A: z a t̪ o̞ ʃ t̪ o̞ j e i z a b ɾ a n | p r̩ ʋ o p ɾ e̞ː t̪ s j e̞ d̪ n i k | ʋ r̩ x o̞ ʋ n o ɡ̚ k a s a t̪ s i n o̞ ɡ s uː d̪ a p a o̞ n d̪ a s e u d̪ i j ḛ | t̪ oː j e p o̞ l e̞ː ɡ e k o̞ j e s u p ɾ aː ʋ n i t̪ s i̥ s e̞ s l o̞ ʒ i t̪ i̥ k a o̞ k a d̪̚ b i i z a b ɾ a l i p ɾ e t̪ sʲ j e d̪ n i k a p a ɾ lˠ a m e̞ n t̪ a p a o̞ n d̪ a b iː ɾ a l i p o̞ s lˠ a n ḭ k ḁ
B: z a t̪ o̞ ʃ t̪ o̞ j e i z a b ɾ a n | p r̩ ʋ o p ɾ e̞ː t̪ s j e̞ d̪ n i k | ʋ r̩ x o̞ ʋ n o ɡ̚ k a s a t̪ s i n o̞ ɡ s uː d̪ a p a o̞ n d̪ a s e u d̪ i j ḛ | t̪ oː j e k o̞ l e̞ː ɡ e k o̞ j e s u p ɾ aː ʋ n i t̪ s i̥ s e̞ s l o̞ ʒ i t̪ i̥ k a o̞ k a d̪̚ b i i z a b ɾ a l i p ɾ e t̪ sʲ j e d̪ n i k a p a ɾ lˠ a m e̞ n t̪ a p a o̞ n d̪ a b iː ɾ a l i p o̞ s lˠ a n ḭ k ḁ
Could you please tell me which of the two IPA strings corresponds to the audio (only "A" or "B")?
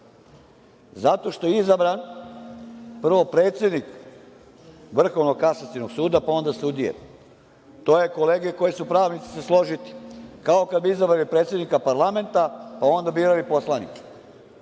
B